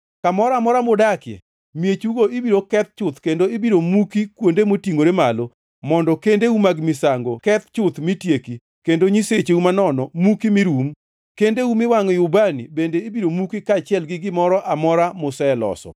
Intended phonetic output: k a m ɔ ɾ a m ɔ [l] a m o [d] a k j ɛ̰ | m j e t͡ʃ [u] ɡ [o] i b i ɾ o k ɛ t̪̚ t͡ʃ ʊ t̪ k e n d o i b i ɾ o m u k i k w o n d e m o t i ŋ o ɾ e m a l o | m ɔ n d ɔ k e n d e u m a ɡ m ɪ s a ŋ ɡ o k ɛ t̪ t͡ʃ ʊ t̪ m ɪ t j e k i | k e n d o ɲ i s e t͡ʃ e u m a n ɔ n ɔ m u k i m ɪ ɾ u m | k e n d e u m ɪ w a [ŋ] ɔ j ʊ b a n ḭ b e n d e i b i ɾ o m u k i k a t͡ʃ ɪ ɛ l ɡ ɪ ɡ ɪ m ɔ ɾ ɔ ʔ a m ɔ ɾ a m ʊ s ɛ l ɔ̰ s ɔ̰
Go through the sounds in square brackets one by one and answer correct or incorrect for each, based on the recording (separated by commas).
incorrect, correct, correct, correct, correct